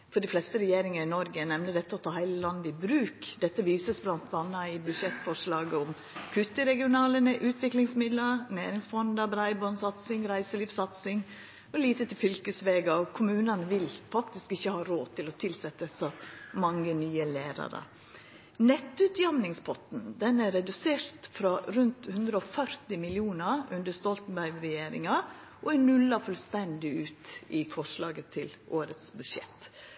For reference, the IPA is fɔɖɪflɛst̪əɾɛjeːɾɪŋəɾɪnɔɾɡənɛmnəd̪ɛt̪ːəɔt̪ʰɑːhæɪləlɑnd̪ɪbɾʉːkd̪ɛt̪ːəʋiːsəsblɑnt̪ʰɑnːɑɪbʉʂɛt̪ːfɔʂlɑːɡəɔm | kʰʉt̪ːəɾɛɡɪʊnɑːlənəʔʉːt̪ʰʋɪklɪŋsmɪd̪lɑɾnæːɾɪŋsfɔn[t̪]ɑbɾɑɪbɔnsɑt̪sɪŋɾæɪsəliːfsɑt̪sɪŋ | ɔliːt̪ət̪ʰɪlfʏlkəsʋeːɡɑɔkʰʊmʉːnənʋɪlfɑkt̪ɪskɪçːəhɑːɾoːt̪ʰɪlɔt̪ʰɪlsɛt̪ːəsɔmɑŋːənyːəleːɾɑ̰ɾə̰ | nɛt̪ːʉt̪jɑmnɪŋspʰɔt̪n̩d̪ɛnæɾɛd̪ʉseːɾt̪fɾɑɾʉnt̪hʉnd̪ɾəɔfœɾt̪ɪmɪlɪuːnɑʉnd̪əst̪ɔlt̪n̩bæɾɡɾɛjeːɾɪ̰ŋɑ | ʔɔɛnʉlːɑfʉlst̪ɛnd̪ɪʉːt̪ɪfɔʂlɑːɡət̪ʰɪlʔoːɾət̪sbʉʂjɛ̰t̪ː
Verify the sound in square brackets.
incorrect: d̪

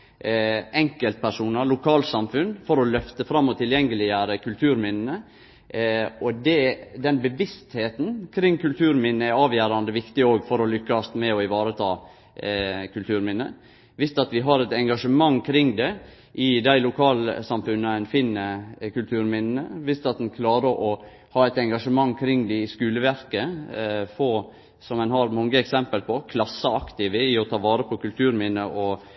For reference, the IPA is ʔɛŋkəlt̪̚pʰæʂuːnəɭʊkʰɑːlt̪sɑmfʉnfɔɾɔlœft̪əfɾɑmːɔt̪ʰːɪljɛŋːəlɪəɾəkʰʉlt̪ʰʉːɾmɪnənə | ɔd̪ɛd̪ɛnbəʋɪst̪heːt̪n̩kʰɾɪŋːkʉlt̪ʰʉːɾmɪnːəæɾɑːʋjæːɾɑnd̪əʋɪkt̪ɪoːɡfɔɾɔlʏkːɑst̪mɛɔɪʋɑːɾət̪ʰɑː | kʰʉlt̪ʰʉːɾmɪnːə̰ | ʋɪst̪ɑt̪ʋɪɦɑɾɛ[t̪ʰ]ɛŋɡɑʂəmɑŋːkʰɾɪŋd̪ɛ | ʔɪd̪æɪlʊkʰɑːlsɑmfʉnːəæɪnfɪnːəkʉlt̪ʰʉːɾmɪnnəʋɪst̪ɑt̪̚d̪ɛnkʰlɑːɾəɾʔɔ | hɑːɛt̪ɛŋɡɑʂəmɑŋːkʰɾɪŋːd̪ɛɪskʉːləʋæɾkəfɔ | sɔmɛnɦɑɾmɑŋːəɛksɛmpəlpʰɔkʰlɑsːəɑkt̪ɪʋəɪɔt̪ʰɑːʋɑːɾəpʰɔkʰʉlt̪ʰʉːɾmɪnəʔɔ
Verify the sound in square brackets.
incorrect: t̪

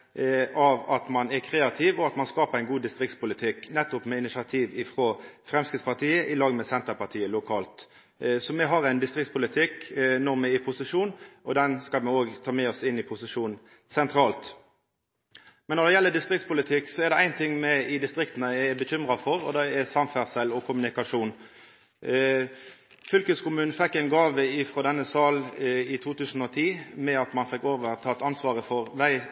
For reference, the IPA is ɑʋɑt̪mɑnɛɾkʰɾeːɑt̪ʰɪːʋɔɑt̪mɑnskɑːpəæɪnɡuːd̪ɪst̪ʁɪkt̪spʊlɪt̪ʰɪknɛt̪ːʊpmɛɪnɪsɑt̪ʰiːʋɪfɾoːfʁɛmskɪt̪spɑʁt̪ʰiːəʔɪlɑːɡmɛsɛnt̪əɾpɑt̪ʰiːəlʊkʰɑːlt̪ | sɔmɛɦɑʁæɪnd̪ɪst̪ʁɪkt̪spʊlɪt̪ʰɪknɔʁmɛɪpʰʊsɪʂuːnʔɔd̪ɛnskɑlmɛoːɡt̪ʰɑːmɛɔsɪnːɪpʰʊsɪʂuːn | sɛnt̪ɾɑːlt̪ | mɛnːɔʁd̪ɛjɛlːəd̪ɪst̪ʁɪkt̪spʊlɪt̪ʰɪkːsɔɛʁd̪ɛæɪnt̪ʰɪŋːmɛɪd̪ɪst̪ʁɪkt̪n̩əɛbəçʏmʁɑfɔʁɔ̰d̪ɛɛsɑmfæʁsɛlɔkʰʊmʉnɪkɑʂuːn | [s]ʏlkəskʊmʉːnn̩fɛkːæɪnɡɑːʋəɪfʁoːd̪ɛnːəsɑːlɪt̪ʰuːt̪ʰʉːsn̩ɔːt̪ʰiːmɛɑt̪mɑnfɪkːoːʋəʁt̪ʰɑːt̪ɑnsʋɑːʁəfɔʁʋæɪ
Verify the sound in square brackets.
incorrect: f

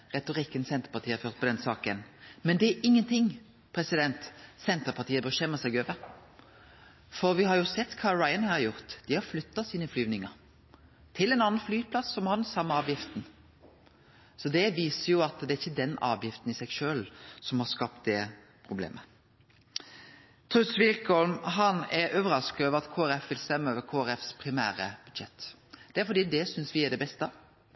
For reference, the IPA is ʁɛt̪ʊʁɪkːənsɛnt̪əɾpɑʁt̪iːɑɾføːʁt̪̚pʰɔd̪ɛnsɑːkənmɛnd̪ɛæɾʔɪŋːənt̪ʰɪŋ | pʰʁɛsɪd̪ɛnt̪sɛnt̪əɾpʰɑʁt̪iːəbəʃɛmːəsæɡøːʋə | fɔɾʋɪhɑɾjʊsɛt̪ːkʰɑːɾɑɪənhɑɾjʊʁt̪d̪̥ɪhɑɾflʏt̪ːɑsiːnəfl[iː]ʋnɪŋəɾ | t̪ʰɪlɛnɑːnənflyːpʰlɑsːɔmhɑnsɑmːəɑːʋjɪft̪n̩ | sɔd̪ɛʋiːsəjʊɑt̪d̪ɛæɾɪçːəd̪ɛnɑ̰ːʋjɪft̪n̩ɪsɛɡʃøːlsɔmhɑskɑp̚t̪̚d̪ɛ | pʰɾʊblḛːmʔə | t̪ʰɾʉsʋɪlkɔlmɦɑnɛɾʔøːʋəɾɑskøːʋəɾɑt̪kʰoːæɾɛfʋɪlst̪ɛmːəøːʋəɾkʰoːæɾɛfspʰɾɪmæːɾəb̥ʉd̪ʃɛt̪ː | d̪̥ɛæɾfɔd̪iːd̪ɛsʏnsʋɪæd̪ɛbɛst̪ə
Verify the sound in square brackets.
incorrect: yː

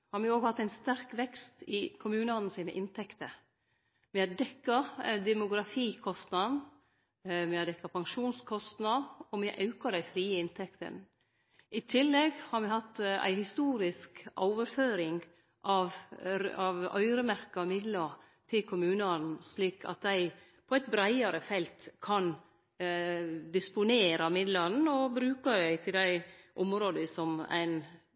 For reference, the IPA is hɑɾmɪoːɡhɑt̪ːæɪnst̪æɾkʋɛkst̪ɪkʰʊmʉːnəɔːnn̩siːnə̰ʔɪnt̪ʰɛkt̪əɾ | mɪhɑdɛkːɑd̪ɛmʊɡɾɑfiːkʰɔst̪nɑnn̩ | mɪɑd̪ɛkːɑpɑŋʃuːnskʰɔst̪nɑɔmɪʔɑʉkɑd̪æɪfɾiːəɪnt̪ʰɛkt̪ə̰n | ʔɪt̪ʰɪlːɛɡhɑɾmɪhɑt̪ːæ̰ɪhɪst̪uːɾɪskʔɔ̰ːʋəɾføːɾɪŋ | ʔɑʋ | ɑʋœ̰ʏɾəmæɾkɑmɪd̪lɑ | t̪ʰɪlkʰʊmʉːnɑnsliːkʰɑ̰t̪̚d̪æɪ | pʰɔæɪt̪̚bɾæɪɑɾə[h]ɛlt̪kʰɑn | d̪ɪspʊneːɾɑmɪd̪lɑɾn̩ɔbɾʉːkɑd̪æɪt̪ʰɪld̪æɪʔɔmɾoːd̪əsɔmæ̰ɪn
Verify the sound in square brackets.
incorrect: f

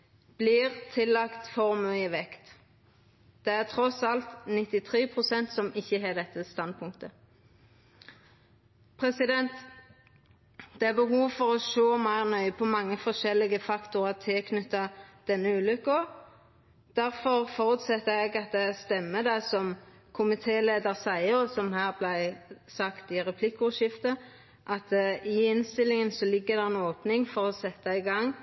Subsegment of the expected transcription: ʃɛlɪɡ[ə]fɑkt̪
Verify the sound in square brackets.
correct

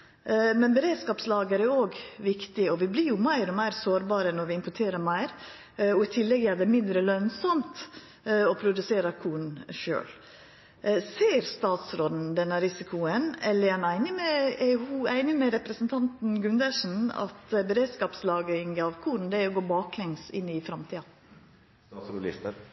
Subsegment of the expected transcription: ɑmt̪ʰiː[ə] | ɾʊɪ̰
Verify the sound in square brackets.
incorrect: ɑ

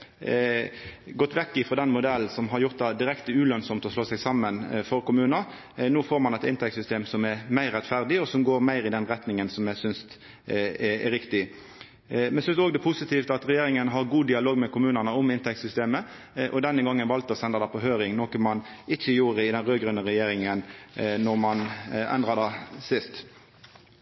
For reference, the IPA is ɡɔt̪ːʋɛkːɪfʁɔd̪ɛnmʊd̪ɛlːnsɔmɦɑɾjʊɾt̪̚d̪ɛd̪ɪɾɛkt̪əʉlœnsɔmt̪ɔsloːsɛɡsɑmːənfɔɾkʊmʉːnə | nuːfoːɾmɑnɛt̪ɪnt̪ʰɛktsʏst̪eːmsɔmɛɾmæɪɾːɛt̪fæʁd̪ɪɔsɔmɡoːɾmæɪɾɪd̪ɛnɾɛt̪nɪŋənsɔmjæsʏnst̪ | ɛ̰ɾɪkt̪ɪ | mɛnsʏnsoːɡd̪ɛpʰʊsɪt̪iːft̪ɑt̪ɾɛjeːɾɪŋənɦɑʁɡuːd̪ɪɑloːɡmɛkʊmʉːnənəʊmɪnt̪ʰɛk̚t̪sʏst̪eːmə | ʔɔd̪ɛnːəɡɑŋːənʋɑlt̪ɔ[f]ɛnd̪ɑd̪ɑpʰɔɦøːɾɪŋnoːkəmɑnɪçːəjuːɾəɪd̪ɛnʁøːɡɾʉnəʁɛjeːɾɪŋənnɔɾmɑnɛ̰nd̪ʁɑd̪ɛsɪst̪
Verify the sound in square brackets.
incorrect: s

